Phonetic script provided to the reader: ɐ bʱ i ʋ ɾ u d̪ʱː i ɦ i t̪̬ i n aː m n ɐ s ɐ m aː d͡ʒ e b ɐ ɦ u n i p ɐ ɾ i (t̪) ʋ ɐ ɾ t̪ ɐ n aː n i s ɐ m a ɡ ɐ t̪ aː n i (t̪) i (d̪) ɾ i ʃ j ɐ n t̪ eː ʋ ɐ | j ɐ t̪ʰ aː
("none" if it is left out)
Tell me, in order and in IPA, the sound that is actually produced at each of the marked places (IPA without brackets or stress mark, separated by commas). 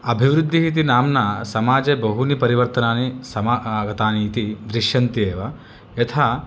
none, t̪, d̪